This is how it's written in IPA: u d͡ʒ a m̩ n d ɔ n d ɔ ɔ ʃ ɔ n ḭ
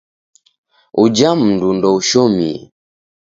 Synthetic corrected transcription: u d͡ʒ a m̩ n d u n d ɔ u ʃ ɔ m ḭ